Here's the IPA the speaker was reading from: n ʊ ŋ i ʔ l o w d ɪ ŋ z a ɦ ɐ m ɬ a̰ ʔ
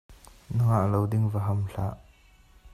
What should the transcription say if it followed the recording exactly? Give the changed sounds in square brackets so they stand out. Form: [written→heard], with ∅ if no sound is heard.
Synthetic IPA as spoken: n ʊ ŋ [i→a] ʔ l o w d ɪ ŋ [z→v] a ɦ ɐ m ɬ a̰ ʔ